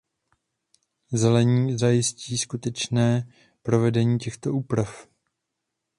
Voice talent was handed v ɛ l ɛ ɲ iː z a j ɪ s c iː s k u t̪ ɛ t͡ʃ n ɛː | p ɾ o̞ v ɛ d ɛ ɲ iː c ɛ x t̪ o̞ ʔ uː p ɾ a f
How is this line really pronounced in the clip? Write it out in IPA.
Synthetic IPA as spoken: z ɛ l ɛ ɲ iː z a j ɪ s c iː s k u t̪ ɛ t͡ʃ n ɛː | p ɾ o̞ v ɛ d ɛ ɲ iː c ɛ x t̪ o̞ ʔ uː p ɾ a f